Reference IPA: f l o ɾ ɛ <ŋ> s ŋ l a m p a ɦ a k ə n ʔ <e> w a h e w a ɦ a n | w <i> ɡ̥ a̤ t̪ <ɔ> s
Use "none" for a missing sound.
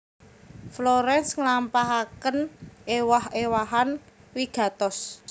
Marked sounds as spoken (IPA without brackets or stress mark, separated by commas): n, e, i, ɔ